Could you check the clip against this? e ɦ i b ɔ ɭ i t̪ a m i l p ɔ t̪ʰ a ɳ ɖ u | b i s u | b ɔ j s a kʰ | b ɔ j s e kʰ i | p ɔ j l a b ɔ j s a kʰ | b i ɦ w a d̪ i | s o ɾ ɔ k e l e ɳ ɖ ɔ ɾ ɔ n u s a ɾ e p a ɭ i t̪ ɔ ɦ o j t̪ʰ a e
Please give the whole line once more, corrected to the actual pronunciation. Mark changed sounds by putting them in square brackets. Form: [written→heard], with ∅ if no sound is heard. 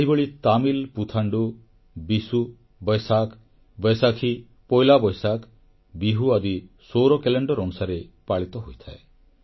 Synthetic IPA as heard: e ɦ i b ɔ ɭ i t̪ a m i l p [ɔ→u] t̪ʰ a ɳ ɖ u | b i s u | b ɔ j s a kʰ | b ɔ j s [e→a] kʰ i | p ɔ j l a b ɔ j s a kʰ | b i ɦ [w→u] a d̪ i | s o ɾ ɔ k e l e ɳ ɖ ɔ ɾ ɔ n u s a ɾ e p a ɭ i t̪ ɔ ɦ o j t̪ʰ a e